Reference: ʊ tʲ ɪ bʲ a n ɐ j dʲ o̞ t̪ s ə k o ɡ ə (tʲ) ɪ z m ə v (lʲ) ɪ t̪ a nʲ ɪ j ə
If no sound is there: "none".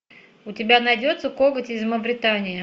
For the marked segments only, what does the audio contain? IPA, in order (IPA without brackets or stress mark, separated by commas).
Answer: tʲ, ɾʲ